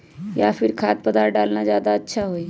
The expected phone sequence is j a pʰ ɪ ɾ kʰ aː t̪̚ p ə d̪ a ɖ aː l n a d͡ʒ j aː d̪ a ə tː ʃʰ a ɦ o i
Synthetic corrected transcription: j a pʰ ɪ ɾ kʰ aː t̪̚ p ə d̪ a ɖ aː l n a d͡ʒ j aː d̪ a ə tː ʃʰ a ɦ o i